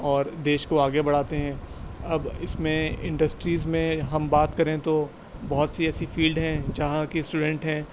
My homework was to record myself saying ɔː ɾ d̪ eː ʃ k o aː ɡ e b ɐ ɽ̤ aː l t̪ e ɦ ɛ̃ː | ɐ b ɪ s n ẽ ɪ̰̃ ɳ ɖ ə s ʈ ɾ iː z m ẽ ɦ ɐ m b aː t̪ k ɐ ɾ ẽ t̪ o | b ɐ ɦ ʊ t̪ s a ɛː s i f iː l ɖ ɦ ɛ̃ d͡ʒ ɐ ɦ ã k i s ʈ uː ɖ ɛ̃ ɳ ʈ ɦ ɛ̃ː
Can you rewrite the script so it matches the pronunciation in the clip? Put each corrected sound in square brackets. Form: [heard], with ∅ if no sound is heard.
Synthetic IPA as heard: ɔː ɾ d̪ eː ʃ k o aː ɡ e b ɐ ɽ̤ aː [∅] t̪ e ɦ ɛ̃ː | ɐ b ɪ s [m] ẽ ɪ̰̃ ɳ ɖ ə s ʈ ɾ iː z m ẽ ɦ ɐ m b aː t̪ k ɐ ɾ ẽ t̪ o | b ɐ ɦ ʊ t̪ s [i] ɛː s i f iː l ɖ ɦ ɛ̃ d͡ʒ ɐ ɦ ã k i s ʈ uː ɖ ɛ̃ ɳ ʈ ɦ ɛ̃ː